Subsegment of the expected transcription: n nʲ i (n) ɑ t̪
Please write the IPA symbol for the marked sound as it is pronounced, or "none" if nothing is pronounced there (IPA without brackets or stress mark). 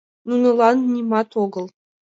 m